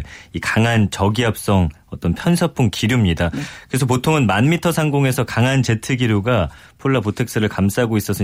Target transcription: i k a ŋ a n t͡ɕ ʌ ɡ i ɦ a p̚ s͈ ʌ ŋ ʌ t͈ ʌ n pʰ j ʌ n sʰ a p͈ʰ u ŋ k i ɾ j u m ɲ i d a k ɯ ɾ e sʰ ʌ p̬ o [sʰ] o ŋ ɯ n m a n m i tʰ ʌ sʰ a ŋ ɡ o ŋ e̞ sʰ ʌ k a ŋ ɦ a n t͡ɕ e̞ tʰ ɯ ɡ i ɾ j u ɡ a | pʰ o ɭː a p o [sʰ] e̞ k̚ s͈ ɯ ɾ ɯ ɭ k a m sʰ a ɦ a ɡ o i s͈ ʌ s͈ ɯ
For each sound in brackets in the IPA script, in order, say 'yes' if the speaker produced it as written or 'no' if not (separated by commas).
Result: no, no